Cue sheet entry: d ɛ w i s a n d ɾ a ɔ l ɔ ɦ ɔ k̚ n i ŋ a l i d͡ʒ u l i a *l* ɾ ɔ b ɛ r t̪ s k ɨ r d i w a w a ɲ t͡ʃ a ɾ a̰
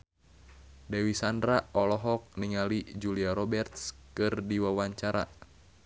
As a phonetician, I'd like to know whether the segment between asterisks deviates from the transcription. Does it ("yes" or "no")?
yes